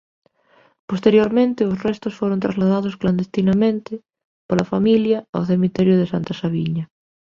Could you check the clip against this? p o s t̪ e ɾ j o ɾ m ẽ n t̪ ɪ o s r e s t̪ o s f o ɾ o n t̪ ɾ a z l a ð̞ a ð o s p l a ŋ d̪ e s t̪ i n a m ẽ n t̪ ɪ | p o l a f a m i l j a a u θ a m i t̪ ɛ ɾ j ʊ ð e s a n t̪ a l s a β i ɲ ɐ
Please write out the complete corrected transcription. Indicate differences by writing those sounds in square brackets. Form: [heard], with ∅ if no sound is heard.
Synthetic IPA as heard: p o s t̪ e ɾ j o ɾ m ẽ n t̪ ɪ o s r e s t̪ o s f o ɾ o n t̪ ɾ a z l a ð̞ a ð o s [k] l a [n] d̪ e s t̪ i n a m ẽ n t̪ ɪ | p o l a f a m i l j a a [w] θ [e] m i t̪ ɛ ɾ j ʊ ð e s a n t̪ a [∅] s a β i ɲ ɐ